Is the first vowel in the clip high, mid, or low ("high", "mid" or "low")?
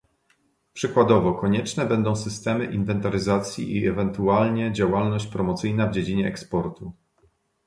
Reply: mid